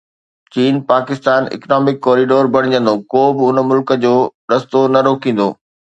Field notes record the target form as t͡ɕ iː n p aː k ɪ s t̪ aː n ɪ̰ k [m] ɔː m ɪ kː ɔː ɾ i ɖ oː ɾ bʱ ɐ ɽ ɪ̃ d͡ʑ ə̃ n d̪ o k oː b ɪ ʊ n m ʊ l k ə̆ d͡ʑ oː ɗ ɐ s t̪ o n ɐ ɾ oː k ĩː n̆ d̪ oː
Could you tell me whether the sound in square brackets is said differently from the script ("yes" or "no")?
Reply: yes